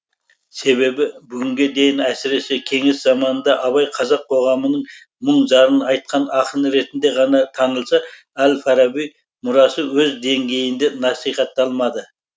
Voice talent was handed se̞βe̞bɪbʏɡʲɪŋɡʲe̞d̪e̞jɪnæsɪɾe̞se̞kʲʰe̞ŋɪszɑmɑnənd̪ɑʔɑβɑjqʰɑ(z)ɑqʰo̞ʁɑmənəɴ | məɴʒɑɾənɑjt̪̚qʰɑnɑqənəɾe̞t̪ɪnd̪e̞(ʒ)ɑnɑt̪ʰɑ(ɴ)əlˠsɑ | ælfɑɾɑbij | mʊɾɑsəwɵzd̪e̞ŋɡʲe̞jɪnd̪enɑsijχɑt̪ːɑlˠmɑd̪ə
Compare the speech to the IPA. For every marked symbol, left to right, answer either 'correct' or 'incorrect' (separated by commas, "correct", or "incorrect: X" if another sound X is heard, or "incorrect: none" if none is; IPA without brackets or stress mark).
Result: correct, incorrect: ʁ, incorrect: n